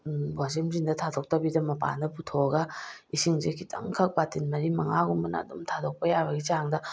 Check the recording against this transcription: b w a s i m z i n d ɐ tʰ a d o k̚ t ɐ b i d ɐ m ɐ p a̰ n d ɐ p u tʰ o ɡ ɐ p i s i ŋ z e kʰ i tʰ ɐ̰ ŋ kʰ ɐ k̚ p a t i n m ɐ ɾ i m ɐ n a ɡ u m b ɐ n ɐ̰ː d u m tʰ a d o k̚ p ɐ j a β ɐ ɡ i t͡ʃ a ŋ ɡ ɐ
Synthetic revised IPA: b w a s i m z i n d ɐ tʰ a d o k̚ t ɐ b i d ɐ m ɐ p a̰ n d ɐ p u tʰ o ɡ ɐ i s i ŋ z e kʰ i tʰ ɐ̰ ŋ kʰ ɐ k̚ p a t i n m ɐ ɾ i m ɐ ŋ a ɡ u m b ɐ n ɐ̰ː d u m tʰ a d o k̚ p ɐ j a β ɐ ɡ i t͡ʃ a ŋ d ɐ